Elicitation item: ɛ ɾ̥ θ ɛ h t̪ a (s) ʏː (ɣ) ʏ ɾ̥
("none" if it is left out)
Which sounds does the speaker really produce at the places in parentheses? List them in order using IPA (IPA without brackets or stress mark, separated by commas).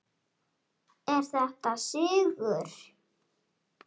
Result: s, ɣ